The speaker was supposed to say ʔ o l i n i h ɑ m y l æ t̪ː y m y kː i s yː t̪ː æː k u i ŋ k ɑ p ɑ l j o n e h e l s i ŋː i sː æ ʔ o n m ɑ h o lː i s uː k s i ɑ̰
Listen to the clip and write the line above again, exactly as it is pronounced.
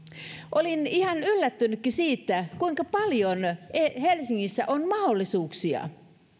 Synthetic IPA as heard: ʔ o l i n i h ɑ n y lː æ t̪ː y n y kː i s iː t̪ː æ k u i ŋ k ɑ p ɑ l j o n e h e l s i ŋː i sː æ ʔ o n m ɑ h o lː i s uː k s i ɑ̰